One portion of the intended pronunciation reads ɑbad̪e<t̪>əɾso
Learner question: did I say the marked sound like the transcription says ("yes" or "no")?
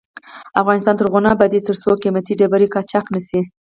yes